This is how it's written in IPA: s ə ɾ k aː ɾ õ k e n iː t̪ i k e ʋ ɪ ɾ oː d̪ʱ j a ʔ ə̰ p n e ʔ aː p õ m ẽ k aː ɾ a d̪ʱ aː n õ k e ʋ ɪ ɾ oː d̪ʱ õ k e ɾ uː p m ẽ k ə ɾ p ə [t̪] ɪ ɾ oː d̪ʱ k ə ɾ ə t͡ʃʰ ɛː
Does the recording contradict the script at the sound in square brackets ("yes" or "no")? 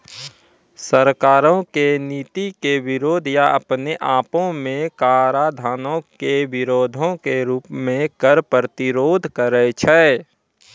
no